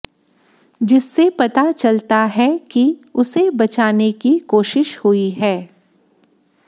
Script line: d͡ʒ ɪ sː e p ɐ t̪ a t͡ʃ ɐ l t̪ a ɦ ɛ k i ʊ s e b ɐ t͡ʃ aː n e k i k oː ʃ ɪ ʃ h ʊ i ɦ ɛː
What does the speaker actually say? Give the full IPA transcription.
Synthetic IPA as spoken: d͡ʒ ɪ sː e p ɐ t̪ a t͡ʃ ɐ l t̪ a ɦ ɛ k i ʊ s e b ɐ t͡ʃ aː n e k i k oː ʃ ɪ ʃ h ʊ i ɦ ɛː